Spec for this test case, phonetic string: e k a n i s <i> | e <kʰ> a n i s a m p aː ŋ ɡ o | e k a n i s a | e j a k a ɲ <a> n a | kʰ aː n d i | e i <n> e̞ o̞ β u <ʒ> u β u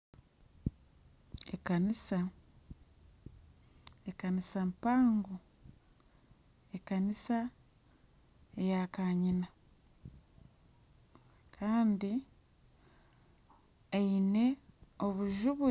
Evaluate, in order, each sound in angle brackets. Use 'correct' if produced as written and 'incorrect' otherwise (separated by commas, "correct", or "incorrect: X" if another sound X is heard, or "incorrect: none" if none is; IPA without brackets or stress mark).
incorrect: a, incorrect: k, incorrect: i, correct, correct